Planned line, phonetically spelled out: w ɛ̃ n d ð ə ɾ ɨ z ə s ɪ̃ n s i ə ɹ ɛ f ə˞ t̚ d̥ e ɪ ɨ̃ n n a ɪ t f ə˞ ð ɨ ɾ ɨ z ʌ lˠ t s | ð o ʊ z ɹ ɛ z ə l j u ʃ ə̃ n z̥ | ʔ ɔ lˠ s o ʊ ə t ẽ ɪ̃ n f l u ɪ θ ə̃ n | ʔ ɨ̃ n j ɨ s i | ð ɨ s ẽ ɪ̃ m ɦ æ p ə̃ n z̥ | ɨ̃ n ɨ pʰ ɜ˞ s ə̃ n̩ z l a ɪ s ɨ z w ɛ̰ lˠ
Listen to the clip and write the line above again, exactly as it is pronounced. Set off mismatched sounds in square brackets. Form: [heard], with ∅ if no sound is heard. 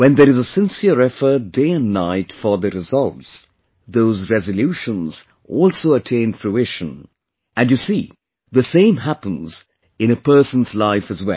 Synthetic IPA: w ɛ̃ n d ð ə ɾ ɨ z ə s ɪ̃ n s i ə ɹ ɛ f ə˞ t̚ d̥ e ɪ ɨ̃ n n a ɪ t f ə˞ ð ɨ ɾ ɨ z ʌ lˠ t s | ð o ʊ z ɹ ɛ z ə l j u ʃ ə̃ n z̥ | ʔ ɔ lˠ s o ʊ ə [tʰ] ẽ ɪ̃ n f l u ɪ [ʃ] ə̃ n | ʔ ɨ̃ n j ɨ s i | ð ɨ s ẽ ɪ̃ m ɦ æ p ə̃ n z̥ | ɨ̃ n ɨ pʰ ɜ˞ s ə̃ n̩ z l a ɪ [f] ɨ z w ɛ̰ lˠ